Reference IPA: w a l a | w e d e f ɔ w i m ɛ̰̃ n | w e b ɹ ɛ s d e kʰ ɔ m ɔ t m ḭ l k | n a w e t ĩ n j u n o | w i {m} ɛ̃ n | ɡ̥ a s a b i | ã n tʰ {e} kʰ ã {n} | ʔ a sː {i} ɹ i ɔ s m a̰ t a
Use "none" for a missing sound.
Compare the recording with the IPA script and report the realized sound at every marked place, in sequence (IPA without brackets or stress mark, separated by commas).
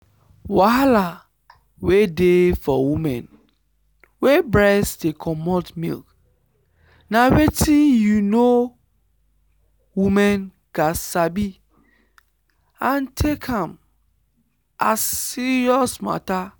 m, e, m, i